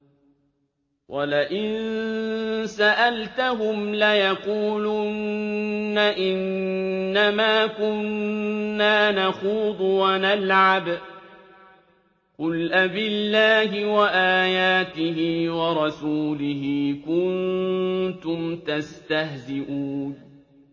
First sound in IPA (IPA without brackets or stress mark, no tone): w